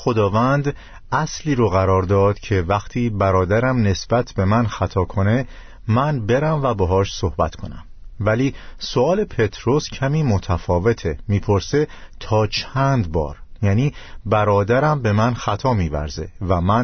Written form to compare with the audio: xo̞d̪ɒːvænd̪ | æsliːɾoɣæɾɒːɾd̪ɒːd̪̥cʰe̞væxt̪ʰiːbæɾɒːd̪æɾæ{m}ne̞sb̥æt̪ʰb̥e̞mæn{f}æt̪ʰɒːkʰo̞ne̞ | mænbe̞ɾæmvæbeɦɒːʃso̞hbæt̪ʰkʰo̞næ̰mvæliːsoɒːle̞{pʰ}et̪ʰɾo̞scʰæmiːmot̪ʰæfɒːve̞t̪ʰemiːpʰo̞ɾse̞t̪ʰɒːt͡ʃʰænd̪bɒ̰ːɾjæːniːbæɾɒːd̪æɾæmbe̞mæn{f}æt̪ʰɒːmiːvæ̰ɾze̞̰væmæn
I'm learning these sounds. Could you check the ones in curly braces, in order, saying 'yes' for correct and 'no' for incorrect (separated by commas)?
yes, no, yes, no